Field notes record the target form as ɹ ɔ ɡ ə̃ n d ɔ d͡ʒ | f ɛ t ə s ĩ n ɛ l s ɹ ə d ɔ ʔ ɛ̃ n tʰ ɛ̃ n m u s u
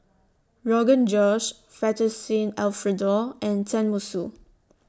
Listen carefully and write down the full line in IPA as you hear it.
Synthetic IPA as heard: ɹ ɔ ɡ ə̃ n d͡ʒ ɔ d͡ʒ | f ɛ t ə s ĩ n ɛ l f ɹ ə d ɔ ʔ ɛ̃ n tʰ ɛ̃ n m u s u